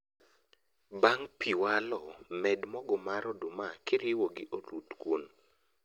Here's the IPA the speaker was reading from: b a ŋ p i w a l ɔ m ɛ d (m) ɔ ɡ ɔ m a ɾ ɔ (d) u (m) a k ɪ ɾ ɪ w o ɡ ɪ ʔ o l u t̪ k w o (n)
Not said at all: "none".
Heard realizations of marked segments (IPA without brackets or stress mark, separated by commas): m, d, m, n